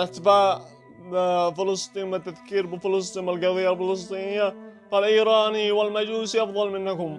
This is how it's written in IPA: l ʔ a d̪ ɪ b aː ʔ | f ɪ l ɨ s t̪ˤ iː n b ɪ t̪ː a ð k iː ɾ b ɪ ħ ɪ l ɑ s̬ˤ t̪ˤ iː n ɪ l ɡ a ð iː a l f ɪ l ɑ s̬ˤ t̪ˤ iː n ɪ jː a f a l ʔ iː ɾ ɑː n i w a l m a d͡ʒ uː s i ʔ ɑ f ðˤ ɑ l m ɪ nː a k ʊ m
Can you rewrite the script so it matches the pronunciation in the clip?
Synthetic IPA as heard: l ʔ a t̪ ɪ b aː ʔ | f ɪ l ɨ s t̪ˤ iː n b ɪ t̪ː a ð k iː ɾ b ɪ f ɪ l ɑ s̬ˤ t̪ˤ iː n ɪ l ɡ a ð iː a l f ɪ l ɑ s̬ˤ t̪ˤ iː n ɪ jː a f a l ʔ iː ɾ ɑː n i w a l m a d͡ʒ uː s i ʔ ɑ f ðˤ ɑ l m ɪ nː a k ʊ m

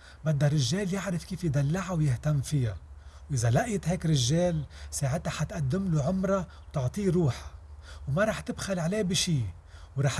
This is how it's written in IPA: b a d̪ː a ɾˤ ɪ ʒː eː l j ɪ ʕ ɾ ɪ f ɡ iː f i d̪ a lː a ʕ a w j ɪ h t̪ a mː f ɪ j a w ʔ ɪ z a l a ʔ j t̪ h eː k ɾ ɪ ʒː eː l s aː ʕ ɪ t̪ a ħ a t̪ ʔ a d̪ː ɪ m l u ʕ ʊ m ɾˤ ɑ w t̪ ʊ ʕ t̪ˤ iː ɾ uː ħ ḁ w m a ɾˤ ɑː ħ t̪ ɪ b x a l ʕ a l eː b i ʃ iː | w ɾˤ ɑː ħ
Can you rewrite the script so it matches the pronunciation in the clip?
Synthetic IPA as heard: b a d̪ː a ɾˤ ɪ ʒː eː l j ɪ ʕ ɾ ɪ f k iː f j d̪ a lː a ʕ a w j ɪ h t̪ a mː f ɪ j a w ʔ ɪ z a l a ʔ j t̪ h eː k ɾ ɪ ʒː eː l s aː ʕ ɪ t̪ a ħ a t̪ ʔ a d̪ː ɪ m l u ʕ ʊ m ɾˤ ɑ w t̪ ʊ ʕ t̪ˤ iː ɾ uː ħ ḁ w m a ɾˤ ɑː ħ t̪ ɪ b x a l ʕ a l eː b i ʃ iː | w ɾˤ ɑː ħ

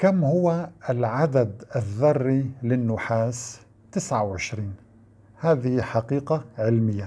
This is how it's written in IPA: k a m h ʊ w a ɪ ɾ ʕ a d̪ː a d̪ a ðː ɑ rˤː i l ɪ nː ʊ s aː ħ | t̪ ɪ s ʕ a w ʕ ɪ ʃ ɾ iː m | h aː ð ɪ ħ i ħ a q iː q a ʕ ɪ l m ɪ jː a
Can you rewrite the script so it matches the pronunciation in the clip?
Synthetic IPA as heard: k a m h ʊ w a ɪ l ʕ a d̪ a d̪ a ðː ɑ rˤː i l ɪ nː ʊ ħ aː s | t̪ ɪ s ʕ a w ʕ ɪ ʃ ɾ iː n | h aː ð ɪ h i ħ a q iː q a ʕ ɪ l m ɪ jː a

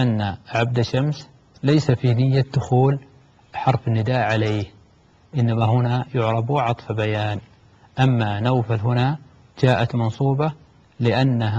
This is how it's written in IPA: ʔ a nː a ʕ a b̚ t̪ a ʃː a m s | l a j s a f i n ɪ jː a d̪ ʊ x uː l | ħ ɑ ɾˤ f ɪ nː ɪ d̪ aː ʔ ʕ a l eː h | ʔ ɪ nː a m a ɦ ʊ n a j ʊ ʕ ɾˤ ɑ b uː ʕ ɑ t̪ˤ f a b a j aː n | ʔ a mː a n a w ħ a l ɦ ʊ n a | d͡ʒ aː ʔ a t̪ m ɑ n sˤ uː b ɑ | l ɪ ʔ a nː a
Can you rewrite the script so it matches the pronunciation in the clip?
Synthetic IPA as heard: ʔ a nː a ʕ a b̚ d̪ a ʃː a m s | l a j s a f i n ɪ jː a d̪ ʊ x uː l | ħ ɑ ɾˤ f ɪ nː ɪ d̪ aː ʔ ʕ a l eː h | ʔ ɪ nː a m a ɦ ʊ n a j ʊ ʕ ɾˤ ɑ b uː ʕ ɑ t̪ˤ f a b a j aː n | ʔ a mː a n a w f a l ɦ ʊ n a | d͡ʒ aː ʔ a t̪ m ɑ n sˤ uː b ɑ | l ɪ ʔ a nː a

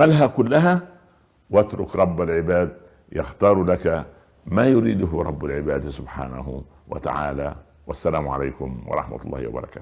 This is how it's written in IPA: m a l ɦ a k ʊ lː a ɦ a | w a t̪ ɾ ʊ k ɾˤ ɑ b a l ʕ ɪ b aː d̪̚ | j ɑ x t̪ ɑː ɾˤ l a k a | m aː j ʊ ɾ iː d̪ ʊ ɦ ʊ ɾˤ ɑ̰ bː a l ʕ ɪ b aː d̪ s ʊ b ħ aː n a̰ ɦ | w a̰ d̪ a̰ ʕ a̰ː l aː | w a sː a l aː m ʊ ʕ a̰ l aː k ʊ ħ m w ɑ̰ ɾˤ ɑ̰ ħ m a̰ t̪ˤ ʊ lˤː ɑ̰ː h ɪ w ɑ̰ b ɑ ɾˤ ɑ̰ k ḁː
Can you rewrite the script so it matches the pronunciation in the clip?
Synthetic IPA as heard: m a l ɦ a k ʊ lː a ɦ a | w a t̪ ɾ ʊ k ɾˤ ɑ bː a l ʕ ɪ b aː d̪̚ | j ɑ x t̪ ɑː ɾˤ l a k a | m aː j ʊ ɾ iː d̪ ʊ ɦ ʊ ɾˤ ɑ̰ bː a l ʕ ɪ b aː d̪ s ʊ b ħ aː n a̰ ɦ | w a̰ t̪ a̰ ʕ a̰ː l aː | w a sː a l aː m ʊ ʕ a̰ l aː k ʊ m w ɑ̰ ɾˤ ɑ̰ ħ m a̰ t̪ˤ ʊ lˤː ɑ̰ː h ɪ w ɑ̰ b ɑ ɾˤ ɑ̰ k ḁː

